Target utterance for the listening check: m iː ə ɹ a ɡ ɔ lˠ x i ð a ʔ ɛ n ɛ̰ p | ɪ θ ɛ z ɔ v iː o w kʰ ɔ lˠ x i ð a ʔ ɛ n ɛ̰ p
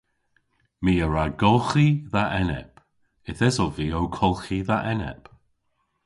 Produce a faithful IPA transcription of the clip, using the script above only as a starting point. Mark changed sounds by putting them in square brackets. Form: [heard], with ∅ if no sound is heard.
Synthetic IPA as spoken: m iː ə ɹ a ɡ ɔ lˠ x i ð a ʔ ɛ n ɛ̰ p | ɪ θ ɛ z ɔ v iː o w kʰ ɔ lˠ x i ð a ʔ ɛ n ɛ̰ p